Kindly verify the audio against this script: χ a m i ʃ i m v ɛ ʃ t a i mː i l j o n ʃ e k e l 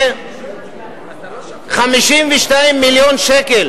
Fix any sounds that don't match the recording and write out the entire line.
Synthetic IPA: χ a m i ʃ i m v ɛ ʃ t a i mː i l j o n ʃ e k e l